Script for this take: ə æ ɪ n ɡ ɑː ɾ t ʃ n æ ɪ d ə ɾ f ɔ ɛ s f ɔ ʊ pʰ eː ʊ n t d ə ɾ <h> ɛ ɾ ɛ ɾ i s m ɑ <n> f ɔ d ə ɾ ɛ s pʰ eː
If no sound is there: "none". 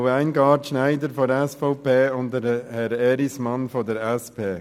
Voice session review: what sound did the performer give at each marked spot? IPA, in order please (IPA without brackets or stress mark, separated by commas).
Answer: h, n